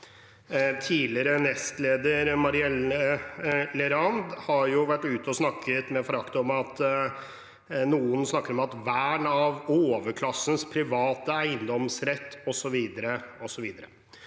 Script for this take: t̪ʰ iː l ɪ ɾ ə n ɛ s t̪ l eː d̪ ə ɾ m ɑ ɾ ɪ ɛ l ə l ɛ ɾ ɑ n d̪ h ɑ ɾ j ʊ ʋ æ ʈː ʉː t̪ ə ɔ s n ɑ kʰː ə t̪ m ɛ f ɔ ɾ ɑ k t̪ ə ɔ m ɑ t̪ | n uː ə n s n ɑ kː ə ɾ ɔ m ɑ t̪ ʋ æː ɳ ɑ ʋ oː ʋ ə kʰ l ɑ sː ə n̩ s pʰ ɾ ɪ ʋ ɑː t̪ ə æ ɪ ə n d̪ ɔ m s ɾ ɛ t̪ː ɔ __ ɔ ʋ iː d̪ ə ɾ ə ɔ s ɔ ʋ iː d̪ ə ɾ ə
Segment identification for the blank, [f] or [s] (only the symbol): s